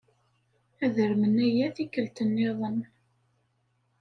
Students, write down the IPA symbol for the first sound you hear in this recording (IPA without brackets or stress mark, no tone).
æ